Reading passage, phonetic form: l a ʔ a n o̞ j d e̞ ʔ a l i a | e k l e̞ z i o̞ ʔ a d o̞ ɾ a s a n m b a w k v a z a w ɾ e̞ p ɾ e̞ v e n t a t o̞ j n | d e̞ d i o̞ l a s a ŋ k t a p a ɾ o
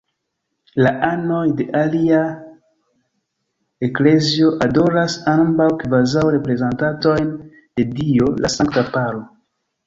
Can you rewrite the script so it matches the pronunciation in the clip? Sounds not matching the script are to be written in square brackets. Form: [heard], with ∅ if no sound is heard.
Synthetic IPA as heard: l a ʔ a n o̞ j d e̞ ʔ a l i a | e k l e̞ z i o̞ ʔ a d o̞ ɾ a s a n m b a w k v a z a w ɾ e̞ p ɾ e̞ [z] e n t a t o̞ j n | d e̞ d i o̞ l a s a ŋ k t a p a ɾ o

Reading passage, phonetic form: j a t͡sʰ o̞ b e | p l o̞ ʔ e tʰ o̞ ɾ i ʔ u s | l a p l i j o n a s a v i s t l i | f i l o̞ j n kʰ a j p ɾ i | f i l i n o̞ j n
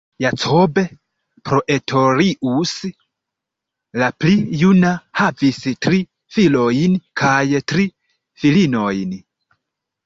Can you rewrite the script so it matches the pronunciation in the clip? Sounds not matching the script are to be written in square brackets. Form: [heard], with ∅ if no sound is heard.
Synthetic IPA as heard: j a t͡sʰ o̞ b e | p [ɾ] o̞ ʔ e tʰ o̞ ɾ i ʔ u s | l a p l i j [u] n a [h] a v i s t [ɾ] i | f i l o̞ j n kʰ a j [t] ɾ i | f i l i n o̞ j n

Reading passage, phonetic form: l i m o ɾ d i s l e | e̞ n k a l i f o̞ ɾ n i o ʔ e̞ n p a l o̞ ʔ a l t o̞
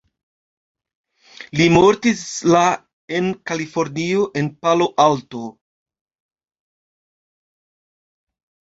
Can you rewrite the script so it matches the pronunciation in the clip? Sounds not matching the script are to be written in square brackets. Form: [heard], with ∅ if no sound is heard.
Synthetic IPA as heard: l i m o ɾ [t] i s l [a] | e̞ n k a l i f o̞ ɾ n i o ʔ e̞ n p a l o̞ ʔ a l t o̞

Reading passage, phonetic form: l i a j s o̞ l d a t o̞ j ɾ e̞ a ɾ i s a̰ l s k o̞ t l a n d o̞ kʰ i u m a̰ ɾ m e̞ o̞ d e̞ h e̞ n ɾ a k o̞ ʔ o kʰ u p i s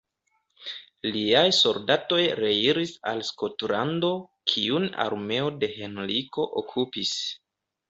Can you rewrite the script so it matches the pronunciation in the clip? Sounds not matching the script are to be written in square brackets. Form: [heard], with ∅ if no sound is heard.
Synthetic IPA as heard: l i a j s o̞ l d a t o̞ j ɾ e̞ [i] ɾ i s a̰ l s k o̞ t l a n d o̞ kʰ i u [n] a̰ ɾ m e̞ o̞ d e̞ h e̞ n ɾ [i] k o̞ ʔ o kʰ u p i s

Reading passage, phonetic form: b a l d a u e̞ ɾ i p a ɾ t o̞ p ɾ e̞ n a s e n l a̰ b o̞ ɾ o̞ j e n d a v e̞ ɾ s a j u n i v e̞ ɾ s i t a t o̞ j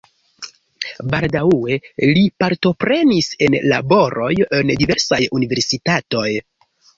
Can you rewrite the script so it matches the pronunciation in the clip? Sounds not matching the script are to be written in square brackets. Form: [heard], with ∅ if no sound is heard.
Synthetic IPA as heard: b a l d a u e̞ [l] i p a ɾ t o̞ p ɾ e̞ n [i] s e n l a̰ b o̞ ɾ o̞ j e n d [i] v e̞ ɾ s a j u n i v e̞ ɾ s i t a t o̞ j

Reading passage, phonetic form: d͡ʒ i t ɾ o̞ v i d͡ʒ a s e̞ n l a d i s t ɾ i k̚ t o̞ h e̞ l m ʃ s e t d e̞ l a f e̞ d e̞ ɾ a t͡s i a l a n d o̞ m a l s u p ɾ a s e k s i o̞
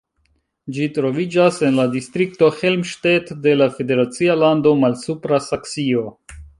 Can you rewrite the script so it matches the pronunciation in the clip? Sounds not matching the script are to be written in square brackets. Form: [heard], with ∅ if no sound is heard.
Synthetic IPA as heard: d͡ʒ i t ɾ o̞ v i d͡ʒ a s e̞ n l a d i s t ɾ i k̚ t o̞ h e̞ l m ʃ [t] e t d e̞ l a f e̞ d e̞ ɾ a t͡s i a l a n d o̞ m a l s u p ɾ a s [a] k s i o̞

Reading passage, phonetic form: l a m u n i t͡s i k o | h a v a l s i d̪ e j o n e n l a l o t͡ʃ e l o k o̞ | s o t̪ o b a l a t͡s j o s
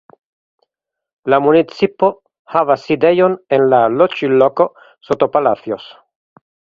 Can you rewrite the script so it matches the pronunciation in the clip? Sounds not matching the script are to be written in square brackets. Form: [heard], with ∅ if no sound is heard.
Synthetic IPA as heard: l a m u n i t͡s i [p] o | h a v a [∅] s i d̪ e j o n e n l a l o t͡ʃ [i] l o k o̞ | s o t̪ o [p] a l a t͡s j o s

